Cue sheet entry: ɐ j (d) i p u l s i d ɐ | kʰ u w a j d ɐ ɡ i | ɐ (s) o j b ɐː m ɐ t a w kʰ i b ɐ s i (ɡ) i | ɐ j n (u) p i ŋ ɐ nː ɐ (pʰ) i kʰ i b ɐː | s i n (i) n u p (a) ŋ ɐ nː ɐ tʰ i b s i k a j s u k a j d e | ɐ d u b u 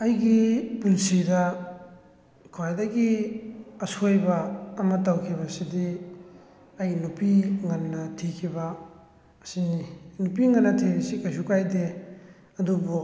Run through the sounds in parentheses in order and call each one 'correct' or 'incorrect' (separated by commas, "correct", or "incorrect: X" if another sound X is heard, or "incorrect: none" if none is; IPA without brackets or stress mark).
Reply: incorrect: ɡ, correct, incorrect: d, correct, incorrect: tʰ, correct, incorrect: i